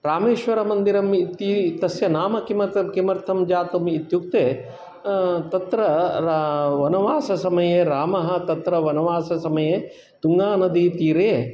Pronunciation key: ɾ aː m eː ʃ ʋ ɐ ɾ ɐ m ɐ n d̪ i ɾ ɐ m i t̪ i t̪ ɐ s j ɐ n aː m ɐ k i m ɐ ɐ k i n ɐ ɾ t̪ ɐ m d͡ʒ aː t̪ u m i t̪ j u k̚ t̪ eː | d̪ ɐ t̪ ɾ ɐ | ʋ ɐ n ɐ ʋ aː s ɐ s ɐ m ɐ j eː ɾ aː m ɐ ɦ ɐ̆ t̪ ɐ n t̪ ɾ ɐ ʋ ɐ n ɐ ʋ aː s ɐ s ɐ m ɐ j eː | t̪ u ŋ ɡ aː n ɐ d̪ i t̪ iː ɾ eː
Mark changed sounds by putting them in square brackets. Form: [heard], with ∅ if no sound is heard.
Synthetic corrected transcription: ɾ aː m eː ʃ ʋ ɐ ɾ ɐ m ɐ n d̪ i ɾ ɐ m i t̪ i t̪ ɐ s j ɐ n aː m ɐ k i m ɐ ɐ k i [m] ɐ ɾ [t̪ʰ] ɐ m d͡ʒ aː t̪ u m i t̪ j u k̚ t̪ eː | [t̪] ɐ t̪ ɾ ɐ | ʋ ɐ n ɐ ʋ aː s ɐ s ɐ m ɐ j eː ɾ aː m ɐ ɦ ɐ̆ t̪ ɐ [∅] t̪ ɾ ɐ ʋ ɐ n ɐ ʋ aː s ɐ s ɐ m ɐ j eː | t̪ u ŋ ɡ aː n ɐ d̪ i t̪ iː ɾ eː